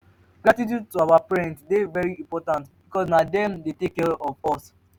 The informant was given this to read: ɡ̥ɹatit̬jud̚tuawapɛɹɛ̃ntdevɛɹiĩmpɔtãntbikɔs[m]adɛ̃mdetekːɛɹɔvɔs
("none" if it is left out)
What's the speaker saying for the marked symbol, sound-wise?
n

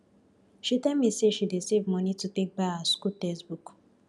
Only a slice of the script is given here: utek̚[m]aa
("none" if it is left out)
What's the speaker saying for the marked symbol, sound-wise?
b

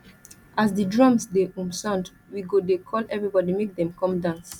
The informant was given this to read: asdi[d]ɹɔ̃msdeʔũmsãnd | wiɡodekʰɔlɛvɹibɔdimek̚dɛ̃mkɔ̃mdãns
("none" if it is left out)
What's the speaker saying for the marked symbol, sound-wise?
d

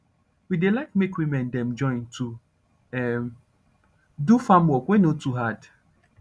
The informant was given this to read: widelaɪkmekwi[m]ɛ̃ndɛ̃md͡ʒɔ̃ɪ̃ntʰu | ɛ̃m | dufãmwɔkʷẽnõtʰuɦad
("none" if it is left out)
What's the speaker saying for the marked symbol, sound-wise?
m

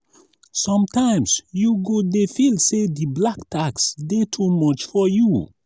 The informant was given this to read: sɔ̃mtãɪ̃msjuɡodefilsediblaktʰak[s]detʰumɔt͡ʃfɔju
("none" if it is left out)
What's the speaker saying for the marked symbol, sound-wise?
s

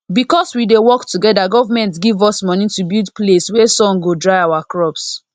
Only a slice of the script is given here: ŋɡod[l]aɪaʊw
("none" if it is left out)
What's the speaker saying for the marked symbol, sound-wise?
ɹ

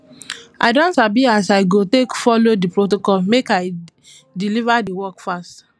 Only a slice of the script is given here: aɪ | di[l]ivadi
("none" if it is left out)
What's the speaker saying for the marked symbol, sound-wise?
l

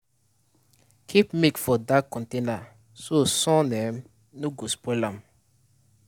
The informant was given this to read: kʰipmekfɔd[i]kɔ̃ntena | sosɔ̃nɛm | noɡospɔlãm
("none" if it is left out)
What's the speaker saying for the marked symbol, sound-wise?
a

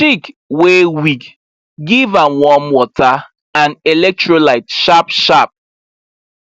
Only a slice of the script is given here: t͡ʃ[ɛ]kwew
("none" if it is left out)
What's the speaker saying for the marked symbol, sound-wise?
i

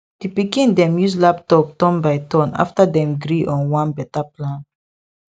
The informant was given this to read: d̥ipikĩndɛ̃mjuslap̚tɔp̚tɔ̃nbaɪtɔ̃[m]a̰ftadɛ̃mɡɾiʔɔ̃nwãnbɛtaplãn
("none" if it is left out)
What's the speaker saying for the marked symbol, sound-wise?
n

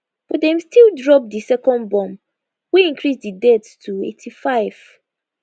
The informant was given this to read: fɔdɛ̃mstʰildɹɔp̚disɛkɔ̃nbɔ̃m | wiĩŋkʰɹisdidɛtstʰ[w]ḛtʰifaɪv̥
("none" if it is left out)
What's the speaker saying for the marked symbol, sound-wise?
u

